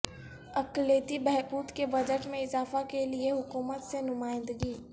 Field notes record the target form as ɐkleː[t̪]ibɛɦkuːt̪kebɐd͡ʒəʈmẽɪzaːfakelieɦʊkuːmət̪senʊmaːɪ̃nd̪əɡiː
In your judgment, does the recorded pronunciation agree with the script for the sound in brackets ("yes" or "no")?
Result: yes